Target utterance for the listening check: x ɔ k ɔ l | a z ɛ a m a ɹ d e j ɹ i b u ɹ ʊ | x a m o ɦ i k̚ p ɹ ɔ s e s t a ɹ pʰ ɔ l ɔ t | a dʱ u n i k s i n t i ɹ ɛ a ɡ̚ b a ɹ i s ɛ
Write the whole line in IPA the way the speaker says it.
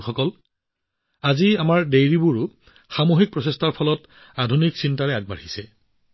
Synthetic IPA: x ɔ k ɔ l | a z i a m a ɹ d e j ɹ i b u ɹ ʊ | x a m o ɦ i k̚ p ɹ ɔ s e s t a ɹ pʰ ɔ l ɔ t | a dʱ u n i k s i n t a ɹ ɛ a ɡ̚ b a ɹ i s ɛ